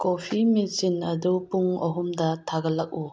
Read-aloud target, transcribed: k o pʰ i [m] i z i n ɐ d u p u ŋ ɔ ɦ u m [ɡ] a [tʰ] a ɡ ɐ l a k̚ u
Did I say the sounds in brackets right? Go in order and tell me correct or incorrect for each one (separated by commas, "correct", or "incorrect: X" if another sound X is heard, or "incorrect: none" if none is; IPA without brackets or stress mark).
correct, incorrect: d, correct